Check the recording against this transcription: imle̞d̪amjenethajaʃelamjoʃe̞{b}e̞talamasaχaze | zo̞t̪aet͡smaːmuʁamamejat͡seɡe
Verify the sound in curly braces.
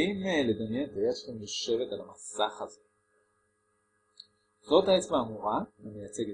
incorrect: v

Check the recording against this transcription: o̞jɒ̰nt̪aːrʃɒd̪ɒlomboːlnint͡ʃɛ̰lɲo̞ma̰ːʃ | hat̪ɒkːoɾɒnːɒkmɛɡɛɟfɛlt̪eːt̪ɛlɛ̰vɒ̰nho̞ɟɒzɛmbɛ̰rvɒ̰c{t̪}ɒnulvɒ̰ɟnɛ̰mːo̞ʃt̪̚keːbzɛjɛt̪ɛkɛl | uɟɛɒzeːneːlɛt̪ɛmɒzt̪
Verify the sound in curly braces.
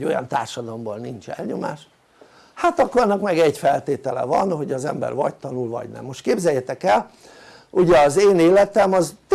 correct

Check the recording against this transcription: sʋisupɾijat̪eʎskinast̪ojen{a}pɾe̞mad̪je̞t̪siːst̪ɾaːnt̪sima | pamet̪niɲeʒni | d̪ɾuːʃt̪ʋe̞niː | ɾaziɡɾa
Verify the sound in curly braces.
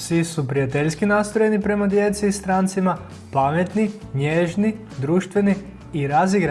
incorrect: i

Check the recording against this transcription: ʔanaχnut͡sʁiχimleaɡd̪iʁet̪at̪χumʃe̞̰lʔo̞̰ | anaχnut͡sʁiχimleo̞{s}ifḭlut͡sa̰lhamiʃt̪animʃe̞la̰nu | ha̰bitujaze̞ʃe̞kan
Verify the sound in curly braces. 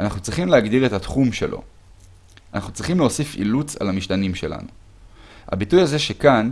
correct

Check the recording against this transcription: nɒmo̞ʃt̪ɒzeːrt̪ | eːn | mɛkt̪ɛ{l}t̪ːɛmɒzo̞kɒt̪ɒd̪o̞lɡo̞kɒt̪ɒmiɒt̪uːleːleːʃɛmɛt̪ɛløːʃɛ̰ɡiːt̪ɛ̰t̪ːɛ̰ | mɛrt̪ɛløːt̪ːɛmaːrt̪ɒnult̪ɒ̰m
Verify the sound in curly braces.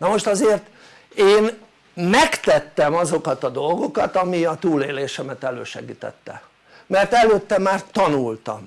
incorrect: none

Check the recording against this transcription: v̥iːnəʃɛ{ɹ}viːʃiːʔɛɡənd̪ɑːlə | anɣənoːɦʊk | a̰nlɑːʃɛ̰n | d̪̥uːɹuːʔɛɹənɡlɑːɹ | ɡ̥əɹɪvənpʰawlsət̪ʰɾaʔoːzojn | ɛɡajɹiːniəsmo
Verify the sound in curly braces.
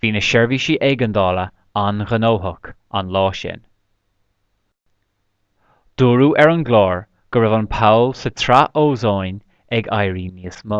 correct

